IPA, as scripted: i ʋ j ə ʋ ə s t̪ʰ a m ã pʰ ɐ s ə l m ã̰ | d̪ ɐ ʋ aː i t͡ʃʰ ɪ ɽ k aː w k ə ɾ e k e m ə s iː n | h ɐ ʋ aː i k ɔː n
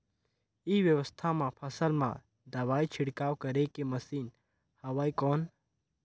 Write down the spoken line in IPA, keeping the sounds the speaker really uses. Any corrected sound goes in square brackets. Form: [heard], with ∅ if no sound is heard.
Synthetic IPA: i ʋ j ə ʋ ə s t̪ʰ a m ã pʰ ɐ s ə l m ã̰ | d̪ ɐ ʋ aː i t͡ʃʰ ɪ ɽ k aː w k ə ɾ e k e m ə s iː n | h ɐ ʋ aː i k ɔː n